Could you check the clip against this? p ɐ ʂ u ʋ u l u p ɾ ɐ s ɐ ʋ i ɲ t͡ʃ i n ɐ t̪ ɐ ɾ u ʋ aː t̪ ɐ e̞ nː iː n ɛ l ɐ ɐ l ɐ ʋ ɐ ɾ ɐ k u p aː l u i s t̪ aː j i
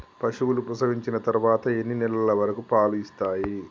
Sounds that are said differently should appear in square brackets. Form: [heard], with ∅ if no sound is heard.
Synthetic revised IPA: p ɐ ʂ u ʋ u l u p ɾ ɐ s ɐ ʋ i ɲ t͡ʃ i n ɐ t̪ ɐ ɾ u ʋ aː t̪ ɐ e̞ nː [i] n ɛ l ɐ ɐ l ɐ ʋ ɐ ɾ ɐ k u p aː l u i s t̪ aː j i